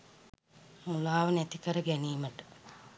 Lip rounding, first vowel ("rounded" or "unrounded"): rounded